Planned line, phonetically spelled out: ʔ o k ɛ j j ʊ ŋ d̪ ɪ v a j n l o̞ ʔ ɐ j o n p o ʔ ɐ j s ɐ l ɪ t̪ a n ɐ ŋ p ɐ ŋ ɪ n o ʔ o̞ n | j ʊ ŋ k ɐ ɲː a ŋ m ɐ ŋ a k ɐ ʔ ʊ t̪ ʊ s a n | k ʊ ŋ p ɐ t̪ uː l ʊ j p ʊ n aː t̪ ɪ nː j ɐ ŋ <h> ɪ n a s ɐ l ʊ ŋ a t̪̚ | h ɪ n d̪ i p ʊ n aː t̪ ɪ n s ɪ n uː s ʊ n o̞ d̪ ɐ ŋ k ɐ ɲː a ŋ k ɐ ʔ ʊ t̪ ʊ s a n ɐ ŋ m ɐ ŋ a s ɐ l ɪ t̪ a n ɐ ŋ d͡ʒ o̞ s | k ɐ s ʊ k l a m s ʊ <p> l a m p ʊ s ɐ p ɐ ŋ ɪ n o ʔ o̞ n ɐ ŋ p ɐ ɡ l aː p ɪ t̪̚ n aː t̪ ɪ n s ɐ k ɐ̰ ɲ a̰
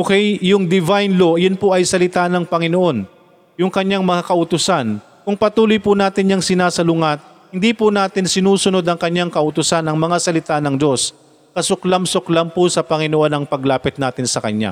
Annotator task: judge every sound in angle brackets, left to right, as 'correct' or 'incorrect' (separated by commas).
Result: incorrect, incorrect